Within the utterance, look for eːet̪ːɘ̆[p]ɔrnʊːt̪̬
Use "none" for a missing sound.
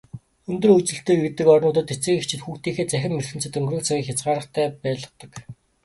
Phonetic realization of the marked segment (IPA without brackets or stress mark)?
k